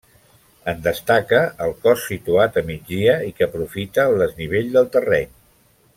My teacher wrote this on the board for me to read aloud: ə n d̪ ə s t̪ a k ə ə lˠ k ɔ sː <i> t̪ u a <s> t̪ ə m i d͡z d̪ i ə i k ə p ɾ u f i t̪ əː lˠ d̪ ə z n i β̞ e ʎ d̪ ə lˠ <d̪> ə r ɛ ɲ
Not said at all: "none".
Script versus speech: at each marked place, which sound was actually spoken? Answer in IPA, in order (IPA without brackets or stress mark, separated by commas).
i, none, t̪